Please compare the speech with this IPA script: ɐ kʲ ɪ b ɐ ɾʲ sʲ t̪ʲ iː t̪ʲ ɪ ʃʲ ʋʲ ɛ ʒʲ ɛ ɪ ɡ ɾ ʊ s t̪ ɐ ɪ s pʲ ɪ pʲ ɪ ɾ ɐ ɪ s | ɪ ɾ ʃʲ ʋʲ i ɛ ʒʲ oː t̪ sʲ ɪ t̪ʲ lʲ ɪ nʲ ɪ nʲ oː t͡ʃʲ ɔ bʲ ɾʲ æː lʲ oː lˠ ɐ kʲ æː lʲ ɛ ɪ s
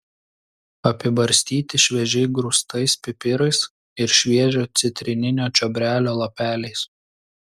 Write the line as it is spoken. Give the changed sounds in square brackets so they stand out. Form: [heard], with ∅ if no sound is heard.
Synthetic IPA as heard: ɐ [pʲ] ɪ b ɐ ɾʲ sʲ t̪ʲ iː t̪ʲ ɪ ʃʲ ʋʲ ɛ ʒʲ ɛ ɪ ɡ ɾ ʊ s t̪ ɐ ɪ s pʲ ɪ pʲ ɪ ɾ ɐ ɪ s | ɪ ɾ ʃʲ ʋʲ i ɛ ʒʲ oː t̪ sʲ ɪ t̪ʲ [ɾʲ] ɪ nʲ ɪ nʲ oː t͡ʃʲ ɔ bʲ ɾʲ æː lʲ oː lˠ ɐ [pʲ] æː lʲ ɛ ɪ s